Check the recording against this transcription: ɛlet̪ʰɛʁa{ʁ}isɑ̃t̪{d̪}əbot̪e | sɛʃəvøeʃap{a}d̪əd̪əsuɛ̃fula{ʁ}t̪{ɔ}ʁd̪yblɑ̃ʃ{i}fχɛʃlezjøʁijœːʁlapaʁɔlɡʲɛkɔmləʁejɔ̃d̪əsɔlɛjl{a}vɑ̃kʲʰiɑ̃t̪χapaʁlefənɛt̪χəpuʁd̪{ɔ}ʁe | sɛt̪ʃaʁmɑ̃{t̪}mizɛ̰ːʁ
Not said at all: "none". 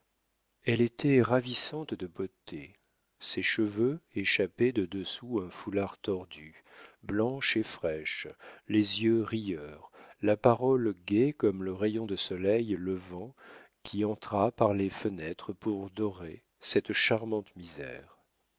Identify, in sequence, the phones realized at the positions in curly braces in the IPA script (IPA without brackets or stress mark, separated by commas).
v, d̪, ɛ, ʁ, ɔ, e, ə, ɔ, t̪